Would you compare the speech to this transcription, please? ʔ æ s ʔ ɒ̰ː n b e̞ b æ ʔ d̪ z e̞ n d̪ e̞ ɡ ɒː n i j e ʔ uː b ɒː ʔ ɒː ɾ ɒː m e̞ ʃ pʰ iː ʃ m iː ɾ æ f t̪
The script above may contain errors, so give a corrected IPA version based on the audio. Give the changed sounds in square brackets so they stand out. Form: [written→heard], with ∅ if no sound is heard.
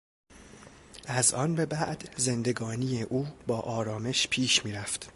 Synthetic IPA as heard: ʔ æ [s→z] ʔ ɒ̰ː n b e̞ b æ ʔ d̪ z e̞ n d̪ e̞ ɡ ɒː n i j e ʔ uː b ɒː ʔ ɒː ɾ ɒː m e̞ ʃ pʰ iː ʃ m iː ɾ æ f t̪